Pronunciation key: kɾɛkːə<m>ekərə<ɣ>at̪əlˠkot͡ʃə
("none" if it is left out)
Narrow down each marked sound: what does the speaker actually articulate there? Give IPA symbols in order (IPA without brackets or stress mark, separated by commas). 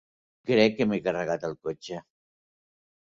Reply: m, ɣ